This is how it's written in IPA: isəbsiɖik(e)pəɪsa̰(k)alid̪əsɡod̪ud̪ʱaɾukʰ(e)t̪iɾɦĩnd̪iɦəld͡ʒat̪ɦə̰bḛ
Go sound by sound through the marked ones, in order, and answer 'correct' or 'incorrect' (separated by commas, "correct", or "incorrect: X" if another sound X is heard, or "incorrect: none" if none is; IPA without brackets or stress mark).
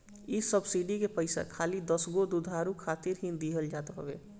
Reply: correct, incorrect: kʰ, incorrect: a